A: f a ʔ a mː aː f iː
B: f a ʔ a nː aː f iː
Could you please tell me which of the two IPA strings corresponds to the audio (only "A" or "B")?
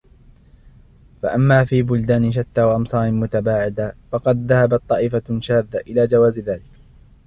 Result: A